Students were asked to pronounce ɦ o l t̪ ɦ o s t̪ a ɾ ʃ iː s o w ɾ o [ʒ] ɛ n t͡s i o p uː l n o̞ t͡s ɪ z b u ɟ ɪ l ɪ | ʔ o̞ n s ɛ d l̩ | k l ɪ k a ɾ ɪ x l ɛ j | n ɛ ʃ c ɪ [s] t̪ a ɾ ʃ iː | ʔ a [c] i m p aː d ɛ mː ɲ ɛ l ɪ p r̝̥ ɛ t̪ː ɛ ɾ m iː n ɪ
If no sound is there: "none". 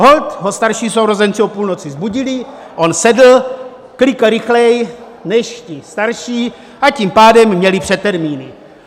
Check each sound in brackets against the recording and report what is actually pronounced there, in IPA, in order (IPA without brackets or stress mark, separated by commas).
z, s, c